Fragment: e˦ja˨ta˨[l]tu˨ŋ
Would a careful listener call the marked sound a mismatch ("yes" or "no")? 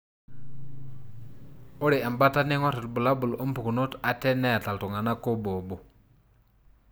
no